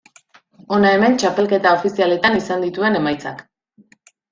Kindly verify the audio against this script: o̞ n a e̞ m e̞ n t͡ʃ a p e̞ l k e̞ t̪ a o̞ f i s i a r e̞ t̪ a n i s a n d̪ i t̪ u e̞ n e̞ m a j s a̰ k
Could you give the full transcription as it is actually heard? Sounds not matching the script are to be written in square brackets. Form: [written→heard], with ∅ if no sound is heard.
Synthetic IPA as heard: o̞ n a e̞ m e̞ n t͡ʃ a p e̞ l k e̞ t̪ a o̞ f i s i a [r→l] e̞ t̪ a n i s a n d̪ i t̪ u e̞ n e̞ m a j [s→t͡s] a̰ k

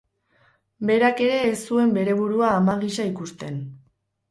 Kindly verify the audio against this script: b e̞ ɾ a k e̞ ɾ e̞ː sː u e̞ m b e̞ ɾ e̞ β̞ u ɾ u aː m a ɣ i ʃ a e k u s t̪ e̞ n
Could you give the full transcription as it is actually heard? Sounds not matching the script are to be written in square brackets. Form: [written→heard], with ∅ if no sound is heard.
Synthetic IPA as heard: b e̞ ɾ a k e̞ ɾ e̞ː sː u e̞ m b e̞ ɾ e̞ β̞ u ɾ u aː m a ɣ i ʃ a [e→i] k u s t̪ e̞ n

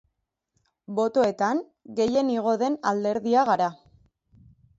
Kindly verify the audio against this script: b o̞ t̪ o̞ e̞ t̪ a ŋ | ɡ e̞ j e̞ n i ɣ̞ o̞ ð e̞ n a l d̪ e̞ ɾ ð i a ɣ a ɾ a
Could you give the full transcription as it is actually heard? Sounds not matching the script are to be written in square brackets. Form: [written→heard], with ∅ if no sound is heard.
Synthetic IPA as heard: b o̞ t̪ o̞ e̞ t̪ a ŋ | ɡ e̞ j e̞ n i ɣ̞ o̞ ð e̞ n a l d̪ e̞ ɾ ð i a ɣ a ɾ a

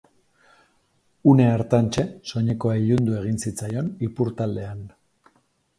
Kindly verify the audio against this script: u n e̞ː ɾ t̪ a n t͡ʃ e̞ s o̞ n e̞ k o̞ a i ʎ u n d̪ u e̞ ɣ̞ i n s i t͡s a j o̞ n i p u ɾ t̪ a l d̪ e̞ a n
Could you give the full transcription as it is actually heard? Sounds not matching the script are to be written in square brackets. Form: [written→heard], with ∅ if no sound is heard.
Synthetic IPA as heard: u n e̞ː ɾ t̪ a n t͡ʃ e̞ s o̞ [n→ɲ] e̞ k o̞ a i ʎ u n d̪ u e̞ ɣ̞ i n s i t͡s a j o̞ n i p u ɾ t̪ a l d̪ e̞ a n

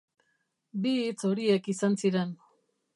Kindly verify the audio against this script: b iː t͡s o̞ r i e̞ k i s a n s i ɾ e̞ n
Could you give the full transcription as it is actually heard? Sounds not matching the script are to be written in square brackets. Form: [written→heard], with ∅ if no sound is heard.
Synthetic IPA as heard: b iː t͡s o̞ [r→ɾ] i e̞ k i s a n s i ɾ e̞ n

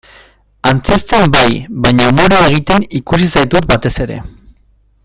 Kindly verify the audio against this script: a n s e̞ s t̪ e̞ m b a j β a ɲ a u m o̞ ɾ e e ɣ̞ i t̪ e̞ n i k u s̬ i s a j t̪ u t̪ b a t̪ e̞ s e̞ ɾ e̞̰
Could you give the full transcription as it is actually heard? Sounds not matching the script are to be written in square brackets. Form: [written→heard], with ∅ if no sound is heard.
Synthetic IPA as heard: a n [s→t͡s] e̞ s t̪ e̞ m b a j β a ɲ a u m o̞ ɾ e e ɣ̞ i t̪ e̞ n i k u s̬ i s a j t̪ u t̪ b a t̪ e̞ s e̞ ɾ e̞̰

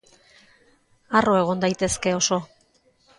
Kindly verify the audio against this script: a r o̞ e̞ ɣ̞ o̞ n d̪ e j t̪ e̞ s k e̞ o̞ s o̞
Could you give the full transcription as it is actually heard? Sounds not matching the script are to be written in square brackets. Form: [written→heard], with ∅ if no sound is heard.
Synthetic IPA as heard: a r o̞ e̞ ɣ̞ o̞ n d̪ [e→a] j t̪ e̞ s k e̞ o̞ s o̞

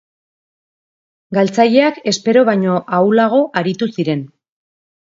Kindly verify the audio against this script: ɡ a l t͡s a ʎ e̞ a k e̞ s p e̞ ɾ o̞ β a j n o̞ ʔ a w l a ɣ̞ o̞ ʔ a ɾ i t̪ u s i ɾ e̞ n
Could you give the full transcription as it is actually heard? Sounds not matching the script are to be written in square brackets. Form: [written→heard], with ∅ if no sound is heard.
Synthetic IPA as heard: ɡ a l t͡s a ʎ e̞ a k e̞ s p e̞ ɾ o̞ β a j [n→ɲ] o̞ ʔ a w l a ɣ̞ o̞ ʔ a ɾ i t̪ u s i ɾ e̞ n

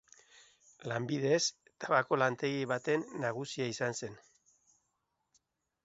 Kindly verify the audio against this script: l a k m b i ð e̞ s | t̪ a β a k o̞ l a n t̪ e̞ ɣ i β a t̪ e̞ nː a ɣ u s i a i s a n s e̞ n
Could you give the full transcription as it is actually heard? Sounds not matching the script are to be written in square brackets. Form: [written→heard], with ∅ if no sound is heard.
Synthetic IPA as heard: l a [k→∅] m b i ð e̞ s | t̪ a β a k o̞ l a n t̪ e̞ ɣ i β a t̪ e̞ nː a ɣ u s i a i s a n s e̞ n

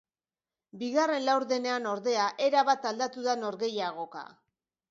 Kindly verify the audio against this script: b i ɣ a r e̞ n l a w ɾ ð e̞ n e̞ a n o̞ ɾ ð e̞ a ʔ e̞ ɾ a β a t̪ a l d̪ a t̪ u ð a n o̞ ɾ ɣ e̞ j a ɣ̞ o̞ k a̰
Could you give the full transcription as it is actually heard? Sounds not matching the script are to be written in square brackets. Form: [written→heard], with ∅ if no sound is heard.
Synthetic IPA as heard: b i ɣ a r e̞ n l a w ɾ ð e̞ n e̞ a n o̞ ɾ ð e̞ a ʔ e̞ ɾ a β a t̪ a l d̪ a t̪ u ð a n o̞ ɾ ɣ e̞ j a ɣ̞ o̞ k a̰

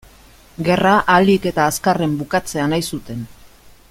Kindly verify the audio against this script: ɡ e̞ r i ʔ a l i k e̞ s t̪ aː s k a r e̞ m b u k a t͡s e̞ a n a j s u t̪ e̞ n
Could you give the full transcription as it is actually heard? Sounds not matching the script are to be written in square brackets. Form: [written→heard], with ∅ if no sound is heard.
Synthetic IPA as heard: ɡ e̞ r [i→a] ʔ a l i k e̞ [s→∅] t̪ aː s k a r e̞ m b u k a t͡s e̞ a n a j s u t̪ e̞ n

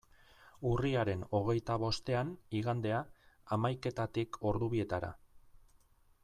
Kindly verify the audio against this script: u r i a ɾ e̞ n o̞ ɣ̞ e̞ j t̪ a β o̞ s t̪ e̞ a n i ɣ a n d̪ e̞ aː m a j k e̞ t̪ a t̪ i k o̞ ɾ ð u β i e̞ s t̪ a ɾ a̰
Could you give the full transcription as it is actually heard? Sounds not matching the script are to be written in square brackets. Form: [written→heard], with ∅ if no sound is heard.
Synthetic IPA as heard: u r i a ɾ e̞ n o̞ ɣ̞ e̞ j t̪ a β o̞ s t̪ e̞ a n i ɣ a n d̪ e̞ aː m a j k e̞ t̪ a t̪ i k o̞ ɾ ð u β i e̞ [s→∅] t̪ a ɾ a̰

